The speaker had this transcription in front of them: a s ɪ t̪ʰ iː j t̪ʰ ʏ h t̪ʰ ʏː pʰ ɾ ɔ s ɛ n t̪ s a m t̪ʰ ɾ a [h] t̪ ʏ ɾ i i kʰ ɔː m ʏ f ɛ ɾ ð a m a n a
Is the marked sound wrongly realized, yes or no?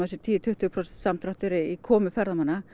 no